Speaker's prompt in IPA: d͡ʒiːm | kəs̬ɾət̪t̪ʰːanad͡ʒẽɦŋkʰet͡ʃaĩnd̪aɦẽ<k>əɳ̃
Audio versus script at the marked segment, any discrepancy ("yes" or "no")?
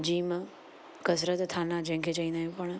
yes